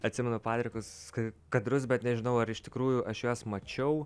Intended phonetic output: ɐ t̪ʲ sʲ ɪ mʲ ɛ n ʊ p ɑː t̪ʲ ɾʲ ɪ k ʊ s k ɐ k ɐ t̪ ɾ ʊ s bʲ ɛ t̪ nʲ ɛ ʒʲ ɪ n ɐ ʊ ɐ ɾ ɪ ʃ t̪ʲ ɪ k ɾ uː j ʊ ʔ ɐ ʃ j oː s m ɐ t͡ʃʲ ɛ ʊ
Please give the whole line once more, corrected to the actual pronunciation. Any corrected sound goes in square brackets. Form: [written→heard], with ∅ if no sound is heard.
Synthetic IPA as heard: ɐ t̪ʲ sʲ ɪ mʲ ɛ n ʊ p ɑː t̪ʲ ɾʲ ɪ k ʊ s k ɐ k ɐ [t̪→d̪] ɾ ʊ s bʲ ɛ t̪ nʲ ɛ ʒʲ ɪ n ɐ ʊ ɐ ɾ ɪ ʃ t̪ʲ ɪ k ɾ uː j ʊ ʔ ɐ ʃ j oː s m ɐ t͡ʃʲ ɛ ʊ

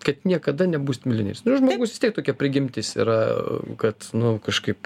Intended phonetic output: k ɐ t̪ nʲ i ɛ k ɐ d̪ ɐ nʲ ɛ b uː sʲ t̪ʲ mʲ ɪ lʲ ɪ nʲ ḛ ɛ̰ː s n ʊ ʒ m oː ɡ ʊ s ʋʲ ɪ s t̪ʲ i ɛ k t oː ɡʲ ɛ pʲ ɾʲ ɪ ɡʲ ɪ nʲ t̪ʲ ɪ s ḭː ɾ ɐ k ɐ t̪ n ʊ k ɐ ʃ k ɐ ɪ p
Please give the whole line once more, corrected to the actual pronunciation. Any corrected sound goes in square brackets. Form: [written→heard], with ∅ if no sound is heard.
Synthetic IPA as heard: k ɐ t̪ nʲ i ɛ k ɐ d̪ ɐ nʲ ɛ b uː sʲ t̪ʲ mʲ ɪ lʲ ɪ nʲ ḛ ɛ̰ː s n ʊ ʒ m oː ɡ ʊ s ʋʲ ɪ s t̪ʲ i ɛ k t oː [ɡʲ→kʲ] ɛ pʲ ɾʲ ɪ ɡʲ ɪ [nʲ→mʲ] t̪ʲ ɪ s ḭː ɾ ɐ k ɐ t̪ n ʊ k ɐ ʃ k ɐ ɪ p

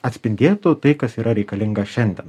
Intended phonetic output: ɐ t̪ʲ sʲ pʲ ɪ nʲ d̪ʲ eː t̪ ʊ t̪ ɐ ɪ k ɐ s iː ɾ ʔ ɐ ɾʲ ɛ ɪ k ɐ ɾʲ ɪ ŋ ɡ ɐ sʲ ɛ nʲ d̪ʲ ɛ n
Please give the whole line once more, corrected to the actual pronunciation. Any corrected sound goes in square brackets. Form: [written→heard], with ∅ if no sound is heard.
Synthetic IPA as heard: ɐ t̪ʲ sʲ pʲ ɪ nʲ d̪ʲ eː t̪ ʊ t̪ ɐ ɪ k ɐ s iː ɾ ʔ ɐ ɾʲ ɛ ɪ k ɐ [ɾʲ→lʲ] ɪ ŋ ɡ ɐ [sʲ→ʃʲ] ɛ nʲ d̪ʲ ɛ n

